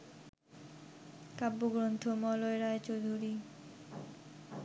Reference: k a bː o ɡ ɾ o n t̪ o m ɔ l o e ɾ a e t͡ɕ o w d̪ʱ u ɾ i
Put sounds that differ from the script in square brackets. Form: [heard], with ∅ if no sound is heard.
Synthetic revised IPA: k a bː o ɡ ɾ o n [t̪ʰ] o m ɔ l o e ɾ a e t͡ɕ o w d̪ʱ u ɾ i